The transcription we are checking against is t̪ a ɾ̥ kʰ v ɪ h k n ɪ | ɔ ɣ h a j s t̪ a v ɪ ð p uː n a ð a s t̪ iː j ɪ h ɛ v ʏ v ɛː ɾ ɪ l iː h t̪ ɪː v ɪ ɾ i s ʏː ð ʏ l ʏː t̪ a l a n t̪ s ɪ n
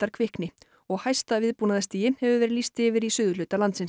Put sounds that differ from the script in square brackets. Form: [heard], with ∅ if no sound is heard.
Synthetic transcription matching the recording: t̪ a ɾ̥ kʰ v ɪ h k n ɪ | ɔ ɣ h a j s t̪ a v ɪ ð p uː n a ð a s t̪ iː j ɪ h ɛ v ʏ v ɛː ɾ ɪ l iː [s] t̪ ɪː v ɪ ɾ i s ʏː ð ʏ l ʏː t̪ a l a n t̪ s ɪ n